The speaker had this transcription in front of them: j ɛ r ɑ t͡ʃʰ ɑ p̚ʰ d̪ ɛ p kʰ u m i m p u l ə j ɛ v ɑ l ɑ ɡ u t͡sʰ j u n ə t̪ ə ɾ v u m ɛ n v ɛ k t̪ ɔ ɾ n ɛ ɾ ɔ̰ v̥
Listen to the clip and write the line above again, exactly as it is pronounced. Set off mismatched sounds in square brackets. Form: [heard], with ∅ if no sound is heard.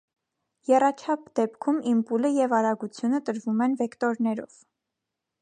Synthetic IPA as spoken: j ɛ r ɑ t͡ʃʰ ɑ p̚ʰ d̪ ɛ p kʰ u m i m p u l ə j ɛ v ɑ [ɾ] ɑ ɡ u t͡sʰ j u n ə t̪ ə ɾ v u m ɛ n v ɛ k t̪ ɔ ɾ n ɛ ɾ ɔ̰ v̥